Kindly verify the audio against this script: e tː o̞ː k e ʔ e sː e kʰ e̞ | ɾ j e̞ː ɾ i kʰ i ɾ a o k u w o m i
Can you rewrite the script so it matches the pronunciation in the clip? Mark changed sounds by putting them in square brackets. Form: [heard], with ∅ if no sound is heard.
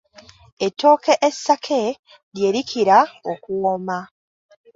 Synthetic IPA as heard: e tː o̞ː k e ʔ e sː [a] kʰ e̞ | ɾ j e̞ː ɾ i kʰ i ɾ a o k u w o m [a]